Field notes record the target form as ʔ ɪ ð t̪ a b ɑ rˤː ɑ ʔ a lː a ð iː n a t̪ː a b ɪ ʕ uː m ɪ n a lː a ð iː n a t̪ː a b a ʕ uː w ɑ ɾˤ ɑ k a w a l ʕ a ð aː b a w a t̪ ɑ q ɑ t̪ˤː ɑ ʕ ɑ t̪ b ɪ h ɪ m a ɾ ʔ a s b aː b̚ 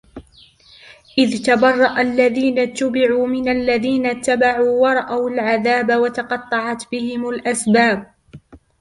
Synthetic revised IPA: ʔ ɪ ð t̪ a b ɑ rˤː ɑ ʔ a lː a ð iː n a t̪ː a b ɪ ʕ uː m ɪ n a lː a ð iː n a t̪ː a b a ʕ uː w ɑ ɾˤ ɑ ʔ a w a l ʕ a ð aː b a w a t̪ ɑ q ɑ t̪ˤː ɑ ʕ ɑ t̪ b ɪ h ɪ m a l ʔ a s b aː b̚